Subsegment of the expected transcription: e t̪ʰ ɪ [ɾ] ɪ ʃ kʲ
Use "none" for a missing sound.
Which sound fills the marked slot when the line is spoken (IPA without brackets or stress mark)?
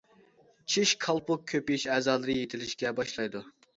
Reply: l